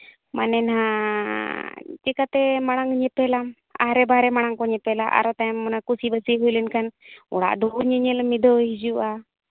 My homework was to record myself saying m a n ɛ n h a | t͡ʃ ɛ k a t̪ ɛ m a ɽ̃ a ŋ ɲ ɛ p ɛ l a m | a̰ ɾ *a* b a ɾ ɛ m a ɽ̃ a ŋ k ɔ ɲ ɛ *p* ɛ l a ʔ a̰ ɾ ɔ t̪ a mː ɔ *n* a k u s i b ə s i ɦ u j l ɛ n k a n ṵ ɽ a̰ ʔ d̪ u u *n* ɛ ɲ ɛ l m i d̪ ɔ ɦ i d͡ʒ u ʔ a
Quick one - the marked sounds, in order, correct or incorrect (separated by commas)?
incorrect, correct, correct, incorrect